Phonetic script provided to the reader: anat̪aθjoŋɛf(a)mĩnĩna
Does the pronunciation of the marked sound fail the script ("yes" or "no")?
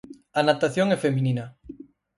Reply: yes